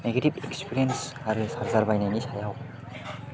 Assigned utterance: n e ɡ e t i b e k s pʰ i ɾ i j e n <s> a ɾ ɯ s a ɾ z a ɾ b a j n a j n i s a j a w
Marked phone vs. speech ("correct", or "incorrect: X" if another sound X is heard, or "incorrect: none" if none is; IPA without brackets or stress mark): correct